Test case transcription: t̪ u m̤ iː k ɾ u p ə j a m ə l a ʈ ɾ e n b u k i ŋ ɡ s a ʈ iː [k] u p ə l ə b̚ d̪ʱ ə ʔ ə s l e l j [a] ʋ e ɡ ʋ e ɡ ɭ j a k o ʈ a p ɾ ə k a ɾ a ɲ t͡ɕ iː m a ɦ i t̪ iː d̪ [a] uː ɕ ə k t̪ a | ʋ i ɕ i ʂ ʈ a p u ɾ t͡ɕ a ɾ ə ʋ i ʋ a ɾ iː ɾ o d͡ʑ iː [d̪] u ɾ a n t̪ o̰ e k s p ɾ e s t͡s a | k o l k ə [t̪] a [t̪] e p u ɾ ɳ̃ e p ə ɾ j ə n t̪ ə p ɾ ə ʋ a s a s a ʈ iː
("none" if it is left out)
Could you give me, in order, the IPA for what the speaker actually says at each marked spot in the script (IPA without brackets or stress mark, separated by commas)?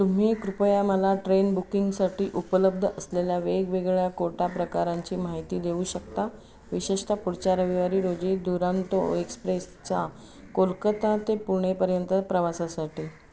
ʔ, a, e, d̪, t̪, t̪